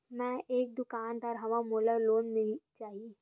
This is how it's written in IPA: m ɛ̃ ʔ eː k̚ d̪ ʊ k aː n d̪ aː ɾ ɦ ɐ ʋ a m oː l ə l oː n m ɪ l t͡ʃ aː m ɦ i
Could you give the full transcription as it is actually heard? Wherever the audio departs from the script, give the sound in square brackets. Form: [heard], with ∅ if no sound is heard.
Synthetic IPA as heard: m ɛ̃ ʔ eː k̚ d̪ ʊ k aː n d̪ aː ɾ ɦ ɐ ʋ a m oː l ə l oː n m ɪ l t͡ʃ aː [∅] ɦ i